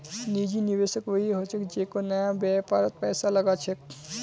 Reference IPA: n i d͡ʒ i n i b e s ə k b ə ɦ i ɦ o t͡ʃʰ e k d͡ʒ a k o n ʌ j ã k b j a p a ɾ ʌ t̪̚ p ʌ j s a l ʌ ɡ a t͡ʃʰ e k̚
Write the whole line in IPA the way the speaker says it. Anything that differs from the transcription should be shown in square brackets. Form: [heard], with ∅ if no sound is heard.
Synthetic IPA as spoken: n i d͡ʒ i n i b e s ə k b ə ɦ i ɦ o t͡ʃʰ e k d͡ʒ [e] k o n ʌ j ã [∅] b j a p a ɾ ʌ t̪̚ p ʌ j s a l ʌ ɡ a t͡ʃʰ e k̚